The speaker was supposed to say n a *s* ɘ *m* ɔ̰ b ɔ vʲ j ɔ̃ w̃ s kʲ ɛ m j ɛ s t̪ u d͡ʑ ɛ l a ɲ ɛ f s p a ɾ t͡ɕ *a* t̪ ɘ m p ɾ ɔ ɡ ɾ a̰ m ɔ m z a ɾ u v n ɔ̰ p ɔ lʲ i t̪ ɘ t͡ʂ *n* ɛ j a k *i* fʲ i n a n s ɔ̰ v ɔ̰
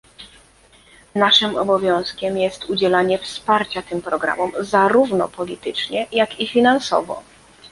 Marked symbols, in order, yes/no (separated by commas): no, yes, yes, no, yes